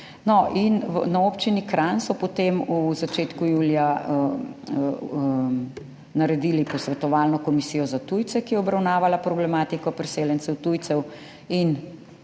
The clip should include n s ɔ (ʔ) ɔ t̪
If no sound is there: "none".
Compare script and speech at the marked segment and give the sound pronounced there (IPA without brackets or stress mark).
p